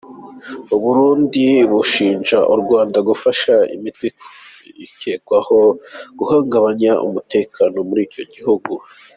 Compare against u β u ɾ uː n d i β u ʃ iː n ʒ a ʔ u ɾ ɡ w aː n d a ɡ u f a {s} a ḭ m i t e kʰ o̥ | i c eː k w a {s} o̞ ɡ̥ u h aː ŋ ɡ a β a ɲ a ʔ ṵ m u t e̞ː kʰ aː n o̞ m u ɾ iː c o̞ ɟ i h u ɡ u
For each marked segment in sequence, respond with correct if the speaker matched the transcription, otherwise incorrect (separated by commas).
incorrect, incorrect